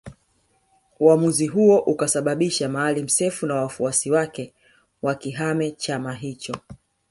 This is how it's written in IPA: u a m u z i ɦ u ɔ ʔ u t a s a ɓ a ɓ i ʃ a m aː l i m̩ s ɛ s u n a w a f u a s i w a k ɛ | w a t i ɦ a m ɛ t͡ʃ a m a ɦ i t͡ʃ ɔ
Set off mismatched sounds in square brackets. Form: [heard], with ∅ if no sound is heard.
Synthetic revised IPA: u a m u z i ɦ u ɔ ʔ u [k] a s a ɓ a ɓ i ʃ a m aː l i m̩ s ɛ [f] u n a w a f u a s i w a k ɛ | w a [k] i ɦ a m ɛ t͡ʃ a m a ɦ i t͡ʃ ɔ